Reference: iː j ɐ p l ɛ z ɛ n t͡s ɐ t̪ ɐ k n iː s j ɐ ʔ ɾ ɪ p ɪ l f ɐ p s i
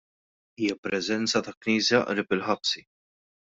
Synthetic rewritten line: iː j ɐ p ɾ ɛ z ɛ n t͡s ɐ t̪ ɐ k n iː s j ɐ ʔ ɾ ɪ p ɪ l ħ ɐ p s i